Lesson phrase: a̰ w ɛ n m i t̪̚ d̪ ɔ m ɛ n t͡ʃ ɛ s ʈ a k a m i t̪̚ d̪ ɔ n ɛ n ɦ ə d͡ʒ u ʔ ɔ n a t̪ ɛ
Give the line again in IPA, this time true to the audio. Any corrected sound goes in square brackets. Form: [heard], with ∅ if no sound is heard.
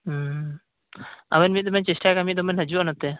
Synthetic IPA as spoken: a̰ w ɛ n m i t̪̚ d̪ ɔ m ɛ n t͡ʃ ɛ s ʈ a k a m i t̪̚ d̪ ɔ [m] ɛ n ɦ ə d͡ʒ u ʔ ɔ n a t̪ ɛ